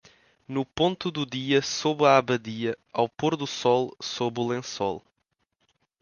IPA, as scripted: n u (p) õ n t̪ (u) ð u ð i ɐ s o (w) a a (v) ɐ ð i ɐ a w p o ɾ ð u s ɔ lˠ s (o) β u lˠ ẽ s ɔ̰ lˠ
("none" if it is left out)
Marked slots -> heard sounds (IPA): p, u, β, β, o

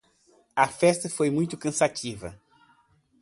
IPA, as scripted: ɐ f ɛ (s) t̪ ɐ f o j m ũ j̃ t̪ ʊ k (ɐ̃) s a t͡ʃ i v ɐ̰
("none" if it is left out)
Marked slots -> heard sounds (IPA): s, ɐ̃

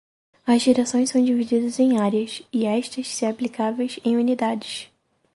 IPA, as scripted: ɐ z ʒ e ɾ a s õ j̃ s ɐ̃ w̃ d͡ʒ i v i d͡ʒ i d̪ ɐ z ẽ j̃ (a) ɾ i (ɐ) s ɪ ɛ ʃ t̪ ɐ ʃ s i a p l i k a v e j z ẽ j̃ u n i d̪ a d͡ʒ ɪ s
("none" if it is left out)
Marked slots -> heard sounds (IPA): a, ɐ

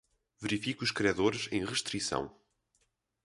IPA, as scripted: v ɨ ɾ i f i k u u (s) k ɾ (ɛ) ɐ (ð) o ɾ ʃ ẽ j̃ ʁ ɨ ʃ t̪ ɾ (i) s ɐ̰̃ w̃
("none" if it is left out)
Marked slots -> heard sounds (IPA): ʃ, i, ð, i

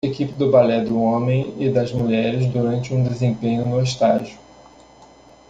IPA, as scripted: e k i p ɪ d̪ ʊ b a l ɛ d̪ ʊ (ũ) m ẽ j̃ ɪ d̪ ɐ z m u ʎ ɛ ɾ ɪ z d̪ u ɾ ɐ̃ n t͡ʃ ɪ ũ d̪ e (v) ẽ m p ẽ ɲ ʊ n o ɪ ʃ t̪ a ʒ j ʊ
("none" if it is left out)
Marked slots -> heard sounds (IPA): õ, z

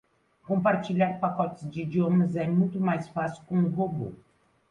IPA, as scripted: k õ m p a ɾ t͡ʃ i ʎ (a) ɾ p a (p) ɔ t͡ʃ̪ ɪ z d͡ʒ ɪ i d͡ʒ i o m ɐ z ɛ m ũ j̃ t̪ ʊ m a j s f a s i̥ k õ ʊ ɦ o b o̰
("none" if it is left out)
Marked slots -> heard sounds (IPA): a, k

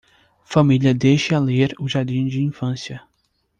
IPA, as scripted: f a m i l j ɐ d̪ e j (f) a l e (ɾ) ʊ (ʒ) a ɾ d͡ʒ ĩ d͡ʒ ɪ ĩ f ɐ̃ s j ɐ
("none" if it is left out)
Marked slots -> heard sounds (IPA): ʃ, ɾ, ʒ

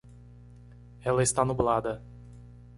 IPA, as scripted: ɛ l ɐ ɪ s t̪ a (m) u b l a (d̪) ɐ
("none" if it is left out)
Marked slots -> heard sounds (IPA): n, d̪

